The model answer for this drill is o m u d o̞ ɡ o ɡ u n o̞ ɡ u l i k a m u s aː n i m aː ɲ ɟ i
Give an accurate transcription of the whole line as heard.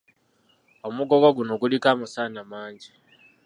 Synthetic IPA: o m u ɡ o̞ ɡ o ɡ u n o̞ ɡ u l i k a m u s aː n a m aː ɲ ɟ i